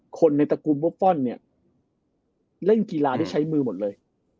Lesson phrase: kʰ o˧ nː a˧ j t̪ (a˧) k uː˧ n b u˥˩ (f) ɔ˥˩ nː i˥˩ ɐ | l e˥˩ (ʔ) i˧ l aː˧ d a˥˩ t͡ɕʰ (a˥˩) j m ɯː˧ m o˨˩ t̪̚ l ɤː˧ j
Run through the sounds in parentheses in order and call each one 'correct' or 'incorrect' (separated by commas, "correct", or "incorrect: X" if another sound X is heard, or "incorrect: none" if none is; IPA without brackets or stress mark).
correct, correct, incorrect: k, incorrect: a˦˥